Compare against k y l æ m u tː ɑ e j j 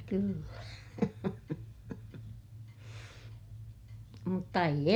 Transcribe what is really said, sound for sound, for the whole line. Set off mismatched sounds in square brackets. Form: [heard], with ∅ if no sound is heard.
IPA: k y [lː] æ m u tː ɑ e [i] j